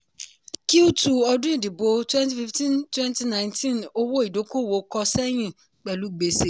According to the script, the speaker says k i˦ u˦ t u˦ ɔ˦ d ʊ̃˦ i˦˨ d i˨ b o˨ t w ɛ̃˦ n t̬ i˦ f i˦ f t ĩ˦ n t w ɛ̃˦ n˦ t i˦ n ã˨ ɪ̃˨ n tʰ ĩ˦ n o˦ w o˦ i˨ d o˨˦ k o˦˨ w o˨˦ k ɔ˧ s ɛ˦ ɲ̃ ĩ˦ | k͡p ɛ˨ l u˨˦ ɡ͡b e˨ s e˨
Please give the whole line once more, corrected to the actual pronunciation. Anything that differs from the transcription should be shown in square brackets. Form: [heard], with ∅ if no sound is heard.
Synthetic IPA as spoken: k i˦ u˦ t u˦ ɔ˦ d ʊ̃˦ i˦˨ d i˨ b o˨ t w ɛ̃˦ n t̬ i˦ f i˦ f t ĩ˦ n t w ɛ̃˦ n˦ t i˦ n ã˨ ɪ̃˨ n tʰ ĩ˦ n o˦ w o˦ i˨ d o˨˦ k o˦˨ w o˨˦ k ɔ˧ s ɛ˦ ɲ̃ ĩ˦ | k͡p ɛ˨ l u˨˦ ɡ͡b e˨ s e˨

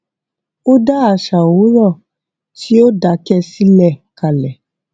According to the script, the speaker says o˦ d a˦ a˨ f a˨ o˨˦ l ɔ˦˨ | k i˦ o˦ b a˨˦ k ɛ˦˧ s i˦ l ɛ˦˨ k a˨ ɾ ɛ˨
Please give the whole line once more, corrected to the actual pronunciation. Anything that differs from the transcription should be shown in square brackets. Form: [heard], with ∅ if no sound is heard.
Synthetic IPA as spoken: o˦ d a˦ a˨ [ʃ] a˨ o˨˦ [ɾ] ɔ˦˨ | [t] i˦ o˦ [d] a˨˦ k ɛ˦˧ s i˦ l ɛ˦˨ k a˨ [l] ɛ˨

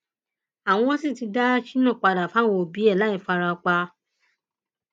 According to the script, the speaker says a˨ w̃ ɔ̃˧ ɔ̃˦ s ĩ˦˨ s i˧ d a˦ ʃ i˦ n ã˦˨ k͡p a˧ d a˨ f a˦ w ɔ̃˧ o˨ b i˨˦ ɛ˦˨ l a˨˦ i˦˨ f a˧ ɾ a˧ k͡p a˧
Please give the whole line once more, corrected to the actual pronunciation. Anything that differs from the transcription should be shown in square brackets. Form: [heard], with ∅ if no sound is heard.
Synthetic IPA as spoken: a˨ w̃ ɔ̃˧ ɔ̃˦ s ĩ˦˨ [t] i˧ d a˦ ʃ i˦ n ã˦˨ k͡p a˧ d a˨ f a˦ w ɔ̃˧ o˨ b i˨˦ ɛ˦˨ l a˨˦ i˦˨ f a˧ ɾ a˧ k͡p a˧

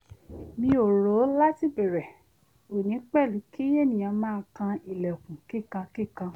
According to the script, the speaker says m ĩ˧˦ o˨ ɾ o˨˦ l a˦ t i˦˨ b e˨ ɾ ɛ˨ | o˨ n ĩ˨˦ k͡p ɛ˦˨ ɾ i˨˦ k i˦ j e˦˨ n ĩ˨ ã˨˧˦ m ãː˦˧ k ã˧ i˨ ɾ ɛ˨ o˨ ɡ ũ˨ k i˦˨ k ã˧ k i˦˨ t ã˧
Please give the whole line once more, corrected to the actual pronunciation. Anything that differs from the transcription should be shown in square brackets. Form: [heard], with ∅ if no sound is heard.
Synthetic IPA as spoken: m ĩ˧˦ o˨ ɾ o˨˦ l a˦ t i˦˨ b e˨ ɾ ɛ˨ | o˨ n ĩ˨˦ k͡p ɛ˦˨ [l] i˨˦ k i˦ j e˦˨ n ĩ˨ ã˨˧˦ m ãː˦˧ k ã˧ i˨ [l] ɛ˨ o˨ [k] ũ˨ k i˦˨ k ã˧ k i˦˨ [k] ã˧

